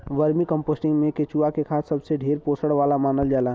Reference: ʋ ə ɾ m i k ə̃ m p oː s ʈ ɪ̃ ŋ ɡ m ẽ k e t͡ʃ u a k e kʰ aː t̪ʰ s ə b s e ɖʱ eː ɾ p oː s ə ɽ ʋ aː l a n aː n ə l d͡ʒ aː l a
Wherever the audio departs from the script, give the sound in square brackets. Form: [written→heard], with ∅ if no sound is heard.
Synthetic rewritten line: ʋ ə ɾ m i k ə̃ m p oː s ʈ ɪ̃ ŋ ɡ m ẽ k e t͡ʃ u a k e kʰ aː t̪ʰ s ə b s e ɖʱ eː ɾ p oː s ə ɽ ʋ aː l a [n→m] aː n ə l d͡ʒ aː l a